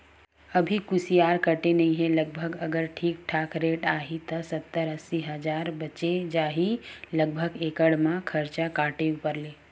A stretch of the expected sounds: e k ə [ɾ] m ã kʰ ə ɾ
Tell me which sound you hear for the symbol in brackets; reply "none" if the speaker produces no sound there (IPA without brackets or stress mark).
ɽ